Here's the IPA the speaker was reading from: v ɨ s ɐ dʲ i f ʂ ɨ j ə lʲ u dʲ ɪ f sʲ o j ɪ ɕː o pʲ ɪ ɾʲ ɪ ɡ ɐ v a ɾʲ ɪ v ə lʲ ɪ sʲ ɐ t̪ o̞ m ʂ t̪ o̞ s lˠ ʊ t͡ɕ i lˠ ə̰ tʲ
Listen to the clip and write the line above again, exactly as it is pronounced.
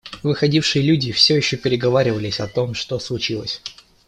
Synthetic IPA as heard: v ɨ x ɐ dʲ i f ʂ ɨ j ə lʲ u dʲ ɪ f sʲ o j ɪ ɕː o pʲ ɪ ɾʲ ɪ ɡ ɐ v a ɾʲ ɪ v ə lʲ ɪ sʲ ɐ t̪ o̞ m ʂ t̪ o̞ s lˠ ʊ t͡ɕ i lˠ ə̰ sʲ